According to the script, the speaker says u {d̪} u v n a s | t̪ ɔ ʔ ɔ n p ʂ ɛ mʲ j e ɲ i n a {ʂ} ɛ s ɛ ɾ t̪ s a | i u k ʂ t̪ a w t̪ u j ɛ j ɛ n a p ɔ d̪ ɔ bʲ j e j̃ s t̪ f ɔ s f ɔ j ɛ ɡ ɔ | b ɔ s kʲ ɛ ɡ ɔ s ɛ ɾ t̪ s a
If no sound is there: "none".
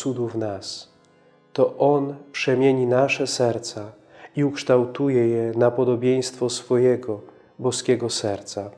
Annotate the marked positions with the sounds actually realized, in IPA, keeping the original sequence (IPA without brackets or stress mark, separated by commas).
d̪, ʂ